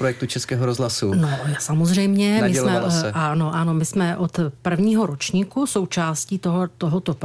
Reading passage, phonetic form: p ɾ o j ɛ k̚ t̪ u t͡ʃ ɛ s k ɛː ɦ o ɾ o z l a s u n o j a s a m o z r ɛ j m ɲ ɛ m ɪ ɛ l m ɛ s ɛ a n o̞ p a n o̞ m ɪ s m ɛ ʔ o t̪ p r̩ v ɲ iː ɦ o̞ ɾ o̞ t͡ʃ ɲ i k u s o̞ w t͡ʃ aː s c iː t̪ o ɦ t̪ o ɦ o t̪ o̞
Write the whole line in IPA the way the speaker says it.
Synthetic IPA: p ɾ o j ɛ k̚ t̪ u t͡ʃ ɛ s k ɛː ɦ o ɾ o z l a s u n o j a s a m o z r ɛ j m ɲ ɛ m ɪ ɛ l m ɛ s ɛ a n o̞ ʔ a n o̞ m ɪ s m ɛ ʔ o t̪ p r̩ v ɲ iː ɦ o̞ ɾ o̞ t͡ʃ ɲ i k u s o̞ w t͡ʃ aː s c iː t̪ o ɦ t̪ o ɦ o t̪ o̞